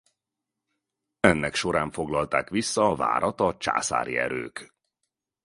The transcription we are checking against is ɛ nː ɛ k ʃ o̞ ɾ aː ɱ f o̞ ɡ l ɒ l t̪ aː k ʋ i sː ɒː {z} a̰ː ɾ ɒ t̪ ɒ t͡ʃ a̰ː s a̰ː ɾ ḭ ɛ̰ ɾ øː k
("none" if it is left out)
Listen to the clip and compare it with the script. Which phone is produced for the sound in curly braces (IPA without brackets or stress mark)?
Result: v